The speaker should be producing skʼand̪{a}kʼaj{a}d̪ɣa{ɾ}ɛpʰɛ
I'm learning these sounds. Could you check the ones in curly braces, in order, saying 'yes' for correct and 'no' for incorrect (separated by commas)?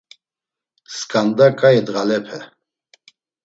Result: yes, no, no